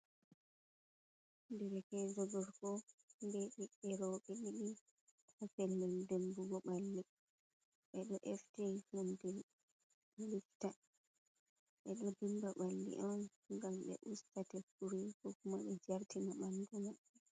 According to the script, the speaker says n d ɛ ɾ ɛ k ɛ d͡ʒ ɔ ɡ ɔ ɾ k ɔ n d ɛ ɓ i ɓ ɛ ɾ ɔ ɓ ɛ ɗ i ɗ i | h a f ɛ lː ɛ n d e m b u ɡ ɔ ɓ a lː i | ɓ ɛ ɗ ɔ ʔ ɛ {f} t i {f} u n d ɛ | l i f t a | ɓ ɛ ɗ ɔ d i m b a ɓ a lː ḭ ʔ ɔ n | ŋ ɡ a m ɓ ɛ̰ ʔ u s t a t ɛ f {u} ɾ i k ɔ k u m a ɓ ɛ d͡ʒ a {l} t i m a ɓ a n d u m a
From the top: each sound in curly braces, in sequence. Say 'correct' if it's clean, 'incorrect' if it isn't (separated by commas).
correct, incorrect, correct, incorrect